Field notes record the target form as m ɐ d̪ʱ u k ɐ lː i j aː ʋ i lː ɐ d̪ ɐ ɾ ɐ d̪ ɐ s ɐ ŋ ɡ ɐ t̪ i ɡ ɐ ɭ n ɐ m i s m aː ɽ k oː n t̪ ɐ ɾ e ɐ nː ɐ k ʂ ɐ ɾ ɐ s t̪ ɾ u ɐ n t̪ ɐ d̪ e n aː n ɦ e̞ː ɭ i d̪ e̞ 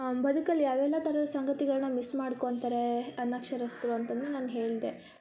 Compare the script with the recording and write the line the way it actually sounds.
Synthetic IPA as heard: b ɐ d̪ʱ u k ɐ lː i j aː ʋ ɛ lː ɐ t̪ ɐ ɾ ɐ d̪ ɐ s ɐ ŋ ɡ ɐ t̪ i ɡ ɐ ɭ n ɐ m i s m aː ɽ k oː n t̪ ɐ ɾ e ɐ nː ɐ k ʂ ɐ ɾ ɐ s t̪ ɾ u ɐ n t̪ ɐ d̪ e n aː n ɦ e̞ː ɭ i d̪ e̞